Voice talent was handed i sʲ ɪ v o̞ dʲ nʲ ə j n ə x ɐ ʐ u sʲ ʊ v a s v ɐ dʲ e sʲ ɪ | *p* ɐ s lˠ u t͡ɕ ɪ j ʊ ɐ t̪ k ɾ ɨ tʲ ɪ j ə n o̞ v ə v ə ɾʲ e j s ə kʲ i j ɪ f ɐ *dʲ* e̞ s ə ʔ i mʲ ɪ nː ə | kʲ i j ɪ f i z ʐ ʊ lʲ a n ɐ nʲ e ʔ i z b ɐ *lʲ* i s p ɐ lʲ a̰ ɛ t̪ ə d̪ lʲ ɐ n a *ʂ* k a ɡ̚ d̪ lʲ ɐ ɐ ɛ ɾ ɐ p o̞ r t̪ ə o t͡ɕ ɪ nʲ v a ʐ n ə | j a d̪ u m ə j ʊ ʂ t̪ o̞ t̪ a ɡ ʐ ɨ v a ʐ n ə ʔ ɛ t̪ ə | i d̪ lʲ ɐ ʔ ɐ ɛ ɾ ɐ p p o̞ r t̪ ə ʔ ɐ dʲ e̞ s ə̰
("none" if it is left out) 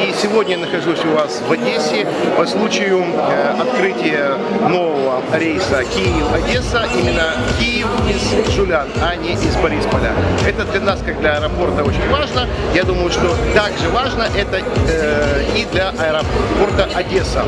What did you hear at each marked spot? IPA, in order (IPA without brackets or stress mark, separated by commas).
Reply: p, dʲ, ɾʲ, s